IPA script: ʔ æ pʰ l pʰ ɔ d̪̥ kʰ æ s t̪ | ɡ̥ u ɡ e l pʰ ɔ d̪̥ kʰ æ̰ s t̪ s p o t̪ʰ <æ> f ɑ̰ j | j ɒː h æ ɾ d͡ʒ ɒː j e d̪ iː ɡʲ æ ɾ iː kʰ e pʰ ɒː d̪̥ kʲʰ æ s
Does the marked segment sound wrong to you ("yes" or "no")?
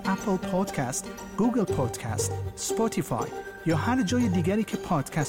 yes